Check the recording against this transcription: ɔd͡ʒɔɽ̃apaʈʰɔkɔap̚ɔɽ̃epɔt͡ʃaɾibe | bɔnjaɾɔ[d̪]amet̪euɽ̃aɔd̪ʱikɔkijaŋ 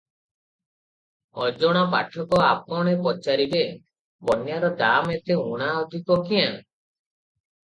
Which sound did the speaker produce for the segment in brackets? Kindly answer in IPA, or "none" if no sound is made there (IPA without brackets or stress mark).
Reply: d̪